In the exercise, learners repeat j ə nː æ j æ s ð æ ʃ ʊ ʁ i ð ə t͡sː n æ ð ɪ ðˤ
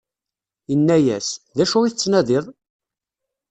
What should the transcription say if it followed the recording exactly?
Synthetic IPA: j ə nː æ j æ s ð æ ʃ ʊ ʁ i θ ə t͡sː n æ ð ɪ ðˤ